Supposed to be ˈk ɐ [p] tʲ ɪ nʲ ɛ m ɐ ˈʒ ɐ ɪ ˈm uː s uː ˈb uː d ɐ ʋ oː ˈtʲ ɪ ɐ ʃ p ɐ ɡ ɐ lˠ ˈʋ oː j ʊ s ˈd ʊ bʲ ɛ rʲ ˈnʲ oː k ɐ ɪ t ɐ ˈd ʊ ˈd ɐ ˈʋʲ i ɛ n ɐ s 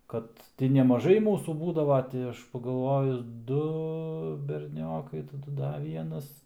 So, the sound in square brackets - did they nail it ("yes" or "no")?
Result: no